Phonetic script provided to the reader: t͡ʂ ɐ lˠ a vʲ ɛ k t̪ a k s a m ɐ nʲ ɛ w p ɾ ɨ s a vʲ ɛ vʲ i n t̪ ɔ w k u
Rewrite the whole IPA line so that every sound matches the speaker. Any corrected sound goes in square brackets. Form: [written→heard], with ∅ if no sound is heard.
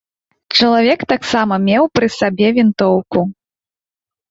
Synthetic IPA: t͡ʂ ɐ lˠ a vʲ ɛ k t̪ a k s a m ɐ [nʲ→mʲ] ɛ w p ɾ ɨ s a [vʲ→bʲ] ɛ vʲ i n t̪ ɔ w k u